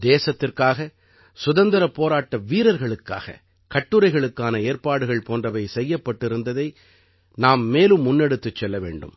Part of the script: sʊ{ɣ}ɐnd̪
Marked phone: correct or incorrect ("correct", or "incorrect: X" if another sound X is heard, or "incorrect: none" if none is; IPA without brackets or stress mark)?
incorrect: ð